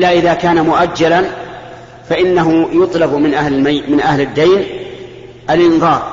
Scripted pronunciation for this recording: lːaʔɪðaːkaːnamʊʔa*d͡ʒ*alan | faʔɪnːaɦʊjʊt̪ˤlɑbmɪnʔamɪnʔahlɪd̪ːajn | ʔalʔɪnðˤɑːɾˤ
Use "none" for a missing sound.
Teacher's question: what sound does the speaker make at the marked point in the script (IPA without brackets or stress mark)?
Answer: d͡ʒː